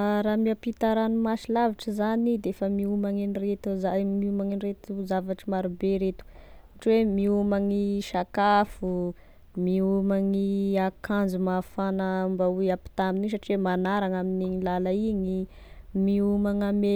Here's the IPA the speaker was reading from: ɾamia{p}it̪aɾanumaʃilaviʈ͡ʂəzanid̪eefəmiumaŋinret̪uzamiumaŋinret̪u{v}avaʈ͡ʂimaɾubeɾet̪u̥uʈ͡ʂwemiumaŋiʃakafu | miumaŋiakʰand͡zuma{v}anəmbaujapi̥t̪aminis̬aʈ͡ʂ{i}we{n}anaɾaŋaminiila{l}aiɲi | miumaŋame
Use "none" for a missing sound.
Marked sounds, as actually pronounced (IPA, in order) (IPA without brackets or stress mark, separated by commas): p, z, f, i, m, l